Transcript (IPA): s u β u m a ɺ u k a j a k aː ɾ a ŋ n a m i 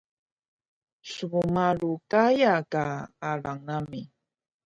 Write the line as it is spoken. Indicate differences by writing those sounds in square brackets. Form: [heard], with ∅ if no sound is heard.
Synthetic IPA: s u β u m a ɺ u k a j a k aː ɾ a ŋ n a m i